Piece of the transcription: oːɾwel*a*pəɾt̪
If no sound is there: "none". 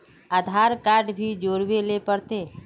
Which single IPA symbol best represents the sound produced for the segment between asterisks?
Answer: e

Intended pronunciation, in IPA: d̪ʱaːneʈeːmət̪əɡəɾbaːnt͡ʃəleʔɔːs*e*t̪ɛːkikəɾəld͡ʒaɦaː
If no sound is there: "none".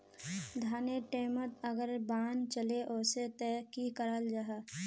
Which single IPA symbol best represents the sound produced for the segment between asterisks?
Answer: e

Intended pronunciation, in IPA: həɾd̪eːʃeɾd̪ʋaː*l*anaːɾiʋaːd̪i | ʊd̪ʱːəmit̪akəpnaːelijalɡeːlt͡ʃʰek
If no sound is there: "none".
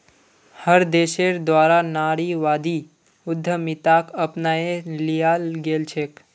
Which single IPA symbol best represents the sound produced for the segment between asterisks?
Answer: ɾ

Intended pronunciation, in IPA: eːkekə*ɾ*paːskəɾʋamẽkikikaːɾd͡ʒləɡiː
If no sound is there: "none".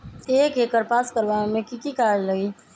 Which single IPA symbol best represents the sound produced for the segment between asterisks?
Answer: ɾ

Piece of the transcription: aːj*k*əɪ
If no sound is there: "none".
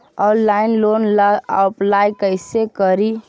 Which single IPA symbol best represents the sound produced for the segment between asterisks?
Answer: k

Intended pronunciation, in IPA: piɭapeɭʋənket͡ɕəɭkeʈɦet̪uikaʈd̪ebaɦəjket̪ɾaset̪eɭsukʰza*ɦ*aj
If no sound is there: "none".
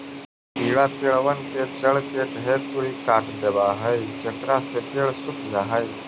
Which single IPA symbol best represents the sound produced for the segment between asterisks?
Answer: ɦ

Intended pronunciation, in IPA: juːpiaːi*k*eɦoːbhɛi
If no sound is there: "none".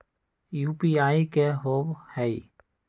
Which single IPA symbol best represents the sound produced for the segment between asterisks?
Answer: k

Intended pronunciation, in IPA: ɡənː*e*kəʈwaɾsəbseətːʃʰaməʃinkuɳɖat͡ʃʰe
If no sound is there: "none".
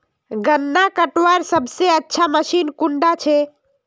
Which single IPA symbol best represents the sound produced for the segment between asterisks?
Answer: a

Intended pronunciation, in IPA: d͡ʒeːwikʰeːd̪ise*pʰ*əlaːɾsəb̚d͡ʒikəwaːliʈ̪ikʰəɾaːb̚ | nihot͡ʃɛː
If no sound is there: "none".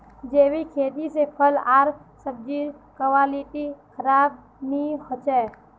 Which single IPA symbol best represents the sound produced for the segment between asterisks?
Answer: pʰ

